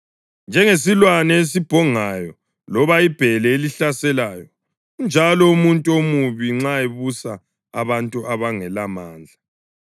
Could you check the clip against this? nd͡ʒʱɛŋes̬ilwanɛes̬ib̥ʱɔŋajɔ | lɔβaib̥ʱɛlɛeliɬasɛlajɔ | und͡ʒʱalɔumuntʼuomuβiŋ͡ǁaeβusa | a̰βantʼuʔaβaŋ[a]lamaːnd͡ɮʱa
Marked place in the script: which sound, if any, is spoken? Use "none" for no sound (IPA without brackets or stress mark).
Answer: ɛ